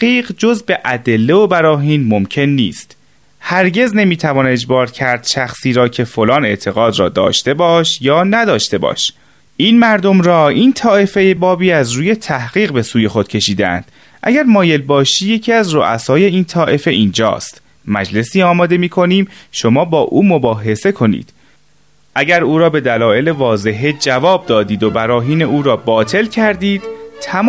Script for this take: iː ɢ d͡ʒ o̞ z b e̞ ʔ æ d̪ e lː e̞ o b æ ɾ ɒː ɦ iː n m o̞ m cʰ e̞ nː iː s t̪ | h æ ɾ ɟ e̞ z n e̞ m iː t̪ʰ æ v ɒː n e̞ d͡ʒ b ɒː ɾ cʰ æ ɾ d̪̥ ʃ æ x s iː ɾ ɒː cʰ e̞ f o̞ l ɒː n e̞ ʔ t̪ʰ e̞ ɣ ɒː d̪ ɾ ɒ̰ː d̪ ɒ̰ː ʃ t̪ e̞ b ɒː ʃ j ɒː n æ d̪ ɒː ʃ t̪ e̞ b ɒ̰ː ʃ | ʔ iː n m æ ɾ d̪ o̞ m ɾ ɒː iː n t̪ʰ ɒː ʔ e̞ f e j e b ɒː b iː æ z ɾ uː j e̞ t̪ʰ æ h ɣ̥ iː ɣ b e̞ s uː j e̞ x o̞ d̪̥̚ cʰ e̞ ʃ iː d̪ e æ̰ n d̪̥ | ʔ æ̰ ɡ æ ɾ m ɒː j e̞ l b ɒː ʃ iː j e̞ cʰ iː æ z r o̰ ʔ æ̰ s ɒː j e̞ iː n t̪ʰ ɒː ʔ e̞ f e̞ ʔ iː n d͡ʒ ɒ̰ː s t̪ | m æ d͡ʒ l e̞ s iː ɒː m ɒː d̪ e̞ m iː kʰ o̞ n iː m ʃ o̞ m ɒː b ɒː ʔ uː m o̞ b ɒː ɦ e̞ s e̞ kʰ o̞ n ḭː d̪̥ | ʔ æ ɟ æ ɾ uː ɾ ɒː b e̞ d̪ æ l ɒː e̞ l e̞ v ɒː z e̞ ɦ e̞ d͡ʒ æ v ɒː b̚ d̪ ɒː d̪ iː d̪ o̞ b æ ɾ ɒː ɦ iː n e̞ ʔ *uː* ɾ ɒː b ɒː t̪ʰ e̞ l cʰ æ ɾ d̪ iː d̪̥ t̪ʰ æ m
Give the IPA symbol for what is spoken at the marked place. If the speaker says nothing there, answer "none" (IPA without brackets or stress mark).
uː